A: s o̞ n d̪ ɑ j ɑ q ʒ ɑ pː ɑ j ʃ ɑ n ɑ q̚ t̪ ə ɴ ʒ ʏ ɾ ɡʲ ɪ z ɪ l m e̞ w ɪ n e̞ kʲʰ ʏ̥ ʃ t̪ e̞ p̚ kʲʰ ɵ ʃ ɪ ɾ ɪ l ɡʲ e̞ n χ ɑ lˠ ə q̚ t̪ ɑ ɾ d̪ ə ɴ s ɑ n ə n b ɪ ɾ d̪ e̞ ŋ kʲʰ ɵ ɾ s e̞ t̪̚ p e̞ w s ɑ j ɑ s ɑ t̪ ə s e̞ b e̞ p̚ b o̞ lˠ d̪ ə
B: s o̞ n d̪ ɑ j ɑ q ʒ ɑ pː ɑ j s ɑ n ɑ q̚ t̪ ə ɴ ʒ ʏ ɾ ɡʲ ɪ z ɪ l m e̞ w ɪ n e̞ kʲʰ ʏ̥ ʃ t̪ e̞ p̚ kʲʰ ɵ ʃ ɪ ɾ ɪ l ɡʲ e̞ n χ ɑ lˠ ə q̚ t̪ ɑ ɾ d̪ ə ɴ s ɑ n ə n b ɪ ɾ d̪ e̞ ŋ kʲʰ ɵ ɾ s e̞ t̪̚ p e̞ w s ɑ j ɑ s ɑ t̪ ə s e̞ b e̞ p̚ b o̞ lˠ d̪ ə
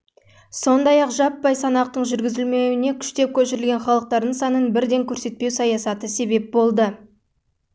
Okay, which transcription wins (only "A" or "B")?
B